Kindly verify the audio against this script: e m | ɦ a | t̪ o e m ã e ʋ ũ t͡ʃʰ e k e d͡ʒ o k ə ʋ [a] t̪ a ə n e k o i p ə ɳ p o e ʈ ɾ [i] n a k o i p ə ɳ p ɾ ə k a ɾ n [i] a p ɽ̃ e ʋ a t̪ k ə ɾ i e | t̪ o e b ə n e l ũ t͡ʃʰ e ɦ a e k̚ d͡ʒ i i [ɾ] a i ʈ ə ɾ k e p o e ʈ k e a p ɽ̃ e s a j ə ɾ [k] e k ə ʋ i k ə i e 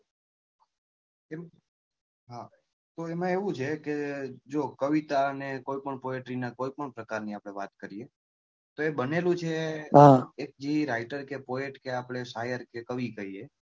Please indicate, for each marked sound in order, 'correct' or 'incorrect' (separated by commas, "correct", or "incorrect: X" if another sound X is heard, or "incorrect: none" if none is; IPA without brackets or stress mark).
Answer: incorrect: i, correct, correct, correct, correct